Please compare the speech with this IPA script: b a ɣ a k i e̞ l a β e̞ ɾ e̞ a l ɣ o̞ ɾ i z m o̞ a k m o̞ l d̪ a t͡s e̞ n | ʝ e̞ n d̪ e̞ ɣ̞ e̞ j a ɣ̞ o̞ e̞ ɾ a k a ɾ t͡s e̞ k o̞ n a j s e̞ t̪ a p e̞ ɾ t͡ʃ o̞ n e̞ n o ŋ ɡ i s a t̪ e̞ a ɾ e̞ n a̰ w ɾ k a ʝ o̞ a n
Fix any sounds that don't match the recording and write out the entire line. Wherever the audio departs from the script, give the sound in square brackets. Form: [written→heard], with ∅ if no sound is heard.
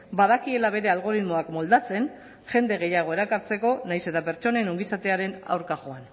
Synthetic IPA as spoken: b a [ɣ→ð] a k i e̞ l a β e̞ ɾ e̞ a l ɣ o̞ ɾ i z m o̞ a k m o̞ l d̪ a t͡s e̞ n | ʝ e̞ n d̪ e̞ ɣ̞ e̞ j a ɣ̞ o̞ e̞ ɾ a k a ɾ t͡s e̞ k o̞ n a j s e̞ t̪ a p e̞ ɾ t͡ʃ o̞ n e̞ n o ŋ ɡ i s a t̪ e̞ a ɾ e̞ n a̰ w ɾ k a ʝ o̞ a n